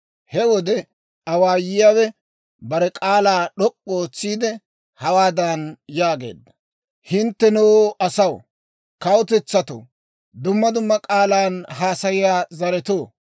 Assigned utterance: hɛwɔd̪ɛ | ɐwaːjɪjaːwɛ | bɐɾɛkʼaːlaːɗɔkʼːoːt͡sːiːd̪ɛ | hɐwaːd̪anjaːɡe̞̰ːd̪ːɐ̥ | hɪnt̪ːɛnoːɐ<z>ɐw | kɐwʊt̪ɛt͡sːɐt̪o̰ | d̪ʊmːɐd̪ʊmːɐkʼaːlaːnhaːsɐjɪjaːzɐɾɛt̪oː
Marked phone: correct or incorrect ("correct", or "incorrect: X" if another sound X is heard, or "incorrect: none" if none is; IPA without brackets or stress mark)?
incorrect: s